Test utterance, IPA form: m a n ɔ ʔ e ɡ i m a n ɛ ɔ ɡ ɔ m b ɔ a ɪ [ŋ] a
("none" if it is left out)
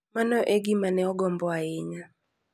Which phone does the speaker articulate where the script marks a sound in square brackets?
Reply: ɲ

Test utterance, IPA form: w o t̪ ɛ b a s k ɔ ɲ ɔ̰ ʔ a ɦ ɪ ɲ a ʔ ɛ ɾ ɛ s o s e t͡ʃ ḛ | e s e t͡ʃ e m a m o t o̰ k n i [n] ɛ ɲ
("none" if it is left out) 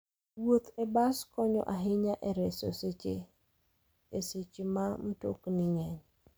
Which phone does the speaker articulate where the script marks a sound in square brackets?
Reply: ŋ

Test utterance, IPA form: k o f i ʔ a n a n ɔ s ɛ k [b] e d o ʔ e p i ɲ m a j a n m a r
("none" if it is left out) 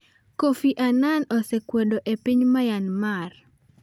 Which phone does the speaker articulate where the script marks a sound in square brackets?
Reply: w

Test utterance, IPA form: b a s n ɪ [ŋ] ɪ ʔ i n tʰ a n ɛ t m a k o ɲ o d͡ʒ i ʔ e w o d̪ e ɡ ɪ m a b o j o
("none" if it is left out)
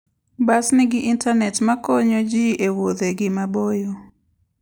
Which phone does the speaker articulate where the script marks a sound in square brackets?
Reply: ɡ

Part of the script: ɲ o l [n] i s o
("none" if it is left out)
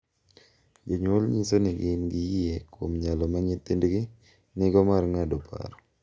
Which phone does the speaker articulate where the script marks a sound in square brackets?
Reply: ɲ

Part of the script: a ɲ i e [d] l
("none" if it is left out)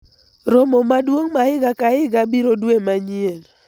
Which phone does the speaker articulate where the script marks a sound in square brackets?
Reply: none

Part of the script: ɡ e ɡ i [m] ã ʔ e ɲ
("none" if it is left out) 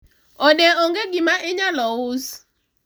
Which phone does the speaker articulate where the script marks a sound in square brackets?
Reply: m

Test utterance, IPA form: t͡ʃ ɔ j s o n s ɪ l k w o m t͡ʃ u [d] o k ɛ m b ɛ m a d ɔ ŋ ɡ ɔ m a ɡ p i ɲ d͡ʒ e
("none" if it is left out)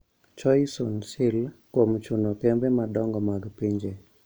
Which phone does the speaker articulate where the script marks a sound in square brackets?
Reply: n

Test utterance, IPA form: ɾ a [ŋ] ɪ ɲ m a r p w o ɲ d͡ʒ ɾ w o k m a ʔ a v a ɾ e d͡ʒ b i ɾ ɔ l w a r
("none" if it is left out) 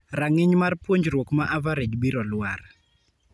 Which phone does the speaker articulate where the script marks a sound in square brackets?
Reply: ŋ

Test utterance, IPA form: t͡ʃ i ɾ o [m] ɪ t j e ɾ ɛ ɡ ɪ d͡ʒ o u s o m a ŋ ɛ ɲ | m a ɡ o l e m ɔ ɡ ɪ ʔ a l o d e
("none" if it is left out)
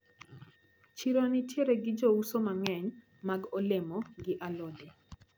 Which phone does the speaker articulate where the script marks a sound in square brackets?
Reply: n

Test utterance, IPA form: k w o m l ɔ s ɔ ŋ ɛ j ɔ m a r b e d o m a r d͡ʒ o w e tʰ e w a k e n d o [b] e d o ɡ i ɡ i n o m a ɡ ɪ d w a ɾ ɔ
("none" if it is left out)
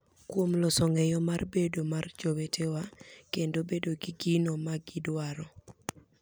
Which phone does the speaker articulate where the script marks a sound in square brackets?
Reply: b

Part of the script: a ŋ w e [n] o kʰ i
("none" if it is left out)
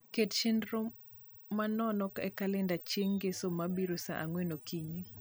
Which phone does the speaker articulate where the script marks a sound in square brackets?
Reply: n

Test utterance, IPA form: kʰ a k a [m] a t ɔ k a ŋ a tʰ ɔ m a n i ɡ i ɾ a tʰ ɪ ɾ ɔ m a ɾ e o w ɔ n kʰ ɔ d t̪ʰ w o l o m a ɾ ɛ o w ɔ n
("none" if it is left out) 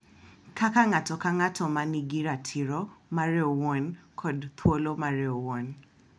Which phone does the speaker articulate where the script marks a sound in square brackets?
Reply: ŋ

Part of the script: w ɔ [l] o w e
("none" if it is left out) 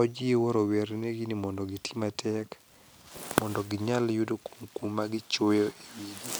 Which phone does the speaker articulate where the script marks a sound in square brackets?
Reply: ɾ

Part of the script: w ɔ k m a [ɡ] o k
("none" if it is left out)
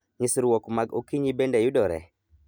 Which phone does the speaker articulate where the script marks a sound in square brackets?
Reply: ɡ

